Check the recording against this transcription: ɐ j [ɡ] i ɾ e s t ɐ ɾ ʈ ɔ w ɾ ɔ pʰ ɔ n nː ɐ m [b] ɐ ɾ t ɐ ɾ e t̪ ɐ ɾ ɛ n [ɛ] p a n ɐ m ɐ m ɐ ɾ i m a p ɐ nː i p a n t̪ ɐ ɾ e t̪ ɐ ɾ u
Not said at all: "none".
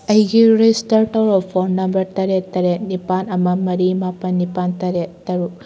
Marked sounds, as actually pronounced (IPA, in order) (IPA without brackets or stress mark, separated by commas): ɡ, b, i